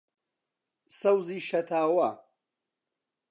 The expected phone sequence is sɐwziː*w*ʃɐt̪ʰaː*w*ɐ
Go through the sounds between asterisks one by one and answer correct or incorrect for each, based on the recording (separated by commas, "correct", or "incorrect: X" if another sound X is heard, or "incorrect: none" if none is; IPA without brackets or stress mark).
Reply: incorrect: none, correct